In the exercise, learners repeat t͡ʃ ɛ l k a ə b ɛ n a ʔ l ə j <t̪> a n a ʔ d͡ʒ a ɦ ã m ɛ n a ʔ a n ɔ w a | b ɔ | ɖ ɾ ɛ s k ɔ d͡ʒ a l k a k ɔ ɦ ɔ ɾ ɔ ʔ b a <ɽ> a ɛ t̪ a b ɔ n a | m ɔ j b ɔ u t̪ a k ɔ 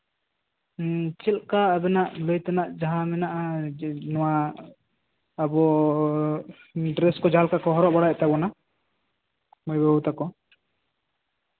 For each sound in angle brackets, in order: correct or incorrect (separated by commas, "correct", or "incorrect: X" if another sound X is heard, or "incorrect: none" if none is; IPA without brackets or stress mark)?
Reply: correct, correct